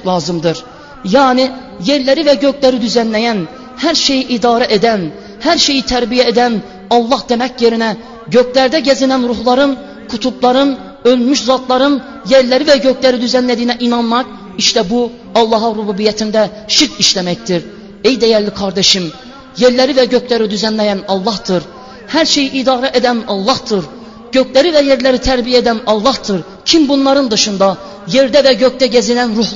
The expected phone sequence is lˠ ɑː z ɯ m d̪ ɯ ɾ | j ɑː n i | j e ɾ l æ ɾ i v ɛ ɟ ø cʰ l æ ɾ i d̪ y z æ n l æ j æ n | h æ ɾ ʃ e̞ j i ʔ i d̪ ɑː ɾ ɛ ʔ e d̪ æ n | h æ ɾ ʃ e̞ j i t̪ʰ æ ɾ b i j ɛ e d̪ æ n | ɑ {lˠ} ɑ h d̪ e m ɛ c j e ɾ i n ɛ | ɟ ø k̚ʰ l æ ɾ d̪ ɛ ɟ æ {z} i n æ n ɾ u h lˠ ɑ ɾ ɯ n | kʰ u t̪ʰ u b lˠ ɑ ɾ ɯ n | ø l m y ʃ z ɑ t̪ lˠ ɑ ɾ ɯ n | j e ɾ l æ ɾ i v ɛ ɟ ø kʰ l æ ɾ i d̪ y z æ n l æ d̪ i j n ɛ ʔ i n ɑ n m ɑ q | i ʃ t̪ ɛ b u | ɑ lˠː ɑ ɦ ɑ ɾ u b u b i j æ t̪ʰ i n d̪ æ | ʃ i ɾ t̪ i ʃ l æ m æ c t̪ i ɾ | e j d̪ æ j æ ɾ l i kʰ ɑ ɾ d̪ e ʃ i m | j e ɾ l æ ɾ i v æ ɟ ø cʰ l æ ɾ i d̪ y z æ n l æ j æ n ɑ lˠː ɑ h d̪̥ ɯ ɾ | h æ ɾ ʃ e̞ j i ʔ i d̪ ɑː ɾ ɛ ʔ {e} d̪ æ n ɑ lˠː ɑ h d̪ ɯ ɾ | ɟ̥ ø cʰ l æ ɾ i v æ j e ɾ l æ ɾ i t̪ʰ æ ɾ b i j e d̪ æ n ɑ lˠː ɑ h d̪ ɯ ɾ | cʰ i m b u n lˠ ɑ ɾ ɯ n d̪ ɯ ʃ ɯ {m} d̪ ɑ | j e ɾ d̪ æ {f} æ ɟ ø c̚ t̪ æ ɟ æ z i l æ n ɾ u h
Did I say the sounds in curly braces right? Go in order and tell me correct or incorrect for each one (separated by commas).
incorrect, correct, correct, incorrect, incorrect